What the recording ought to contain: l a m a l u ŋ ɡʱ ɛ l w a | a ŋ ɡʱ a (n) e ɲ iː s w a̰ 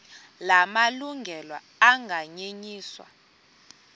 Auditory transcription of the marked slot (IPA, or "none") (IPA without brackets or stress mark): ɲ